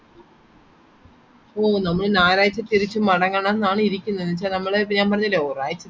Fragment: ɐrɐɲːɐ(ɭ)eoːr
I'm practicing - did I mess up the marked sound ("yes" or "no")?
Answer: yes